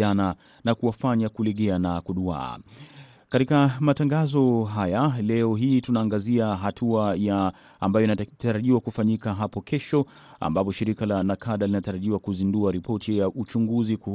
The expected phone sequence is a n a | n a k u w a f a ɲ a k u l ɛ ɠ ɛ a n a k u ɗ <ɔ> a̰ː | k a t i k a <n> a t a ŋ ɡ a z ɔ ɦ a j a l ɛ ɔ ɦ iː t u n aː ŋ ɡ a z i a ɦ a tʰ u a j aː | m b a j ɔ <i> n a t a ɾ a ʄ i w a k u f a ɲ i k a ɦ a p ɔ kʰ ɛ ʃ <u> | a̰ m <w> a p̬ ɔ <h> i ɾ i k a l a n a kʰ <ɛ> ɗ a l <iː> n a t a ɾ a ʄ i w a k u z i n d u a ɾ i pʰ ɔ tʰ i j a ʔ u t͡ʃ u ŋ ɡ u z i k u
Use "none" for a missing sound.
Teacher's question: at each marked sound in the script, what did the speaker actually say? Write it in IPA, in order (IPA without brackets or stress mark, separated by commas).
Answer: u, m, i, ɔ, b, ʃ, a, i